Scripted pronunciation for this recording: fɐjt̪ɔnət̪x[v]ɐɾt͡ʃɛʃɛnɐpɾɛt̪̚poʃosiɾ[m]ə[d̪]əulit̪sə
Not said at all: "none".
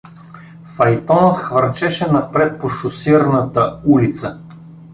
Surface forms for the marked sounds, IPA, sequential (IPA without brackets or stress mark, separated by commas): v, n, t̪